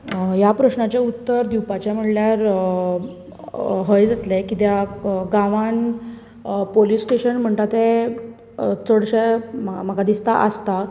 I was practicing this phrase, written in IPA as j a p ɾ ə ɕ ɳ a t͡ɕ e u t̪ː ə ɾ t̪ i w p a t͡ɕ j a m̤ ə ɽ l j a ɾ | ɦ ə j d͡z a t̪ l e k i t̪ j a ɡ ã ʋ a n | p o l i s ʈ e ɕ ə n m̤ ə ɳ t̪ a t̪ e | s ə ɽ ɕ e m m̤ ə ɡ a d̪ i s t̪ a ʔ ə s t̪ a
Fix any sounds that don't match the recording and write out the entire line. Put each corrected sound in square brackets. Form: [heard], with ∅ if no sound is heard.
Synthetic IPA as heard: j a p ɾ ə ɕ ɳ a t͡ɕ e u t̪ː ə ɾ [d̪] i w p a t͡ɕ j a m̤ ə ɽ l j a ɾ | ɦ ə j d͡z a t̪ l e k i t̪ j a ɡ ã ʋ a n | p o l i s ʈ e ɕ ə n m̤ ə ɳ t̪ a t̪ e | [t͡s] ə ɽ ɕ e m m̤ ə ɡ a d̪ i s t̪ a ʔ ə s t̪ a